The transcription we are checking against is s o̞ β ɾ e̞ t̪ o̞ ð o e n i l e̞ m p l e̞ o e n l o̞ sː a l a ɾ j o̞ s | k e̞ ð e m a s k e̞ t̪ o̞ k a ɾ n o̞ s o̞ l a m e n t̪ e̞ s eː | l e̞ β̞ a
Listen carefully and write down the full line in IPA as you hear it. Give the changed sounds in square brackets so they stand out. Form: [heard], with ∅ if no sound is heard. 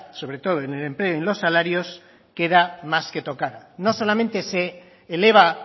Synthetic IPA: s o̞ β ɾ e̞ t̪ o̞ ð o e n [e] l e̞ m p l e̞ o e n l o̞ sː a l a ɾ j o̞ s | k e̞ ð [a] m a s k e̞ t̪ o̞ k a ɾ n o̞ s o̞ l a m e n t̪ e̞ s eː | l e̞ β̞ a